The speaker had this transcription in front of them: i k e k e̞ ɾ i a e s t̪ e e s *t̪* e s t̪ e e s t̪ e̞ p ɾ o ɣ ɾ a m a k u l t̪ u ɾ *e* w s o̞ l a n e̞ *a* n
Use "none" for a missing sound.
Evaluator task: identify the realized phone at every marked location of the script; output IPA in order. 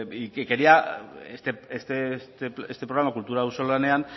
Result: t̪, a, a

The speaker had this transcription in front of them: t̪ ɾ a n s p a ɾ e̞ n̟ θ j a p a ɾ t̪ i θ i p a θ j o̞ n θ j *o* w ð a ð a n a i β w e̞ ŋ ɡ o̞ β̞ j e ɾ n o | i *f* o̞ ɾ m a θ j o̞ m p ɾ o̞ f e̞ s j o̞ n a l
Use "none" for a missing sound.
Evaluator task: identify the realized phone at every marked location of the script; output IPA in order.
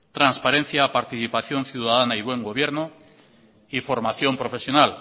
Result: u, f

